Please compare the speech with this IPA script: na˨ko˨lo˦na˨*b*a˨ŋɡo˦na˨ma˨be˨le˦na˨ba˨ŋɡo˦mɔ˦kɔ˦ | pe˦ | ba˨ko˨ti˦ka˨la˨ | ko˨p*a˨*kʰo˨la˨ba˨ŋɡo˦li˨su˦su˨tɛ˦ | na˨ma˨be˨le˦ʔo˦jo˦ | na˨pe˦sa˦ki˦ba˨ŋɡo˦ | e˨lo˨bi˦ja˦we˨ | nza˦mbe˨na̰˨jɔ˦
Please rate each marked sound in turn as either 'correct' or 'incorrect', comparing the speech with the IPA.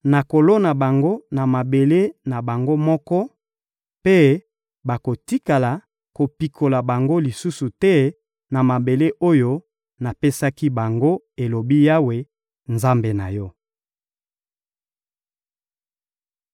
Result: correct, incorrect: i˨

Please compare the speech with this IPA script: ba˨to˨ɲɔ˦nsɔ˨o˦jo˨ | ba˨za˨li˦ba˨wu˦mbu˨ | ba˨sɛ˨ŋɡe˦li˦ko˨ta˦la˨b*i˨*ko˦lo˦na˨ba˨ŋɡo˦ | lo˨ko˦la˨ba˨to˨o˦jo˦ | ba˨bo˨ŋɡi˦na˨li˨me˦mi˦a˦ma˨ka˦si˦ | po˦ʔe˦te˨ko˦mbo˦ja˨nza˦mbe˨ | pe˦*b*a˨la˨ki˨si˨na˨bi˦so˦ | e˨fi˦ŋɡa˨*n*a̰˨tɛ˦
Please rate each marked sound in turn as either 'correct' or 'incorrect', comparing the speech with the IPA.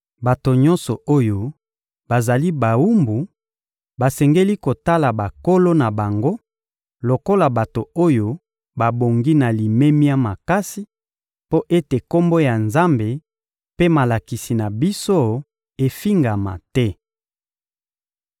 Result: incorrect: a˨, incorrect: m, incorrect: m

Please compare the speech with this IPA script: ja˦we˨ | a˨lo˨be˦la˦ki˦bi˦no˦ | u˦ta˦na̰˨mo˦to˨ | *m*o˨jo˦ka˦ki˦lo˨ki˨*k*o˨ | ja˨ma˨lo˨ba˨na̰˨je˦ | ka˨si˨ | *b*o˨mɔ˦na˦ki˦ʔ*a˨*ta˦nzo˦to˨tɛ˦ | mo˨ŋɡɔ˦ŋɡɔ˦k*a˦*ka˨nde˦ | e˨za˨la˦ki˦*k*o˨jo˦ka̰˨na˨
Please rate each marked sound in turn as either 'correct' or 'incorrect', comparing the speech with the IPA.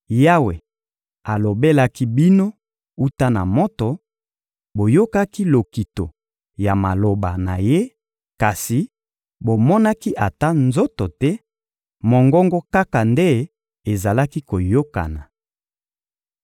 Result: incorrect: b, incorrect: t, correct, correct, correct, correct

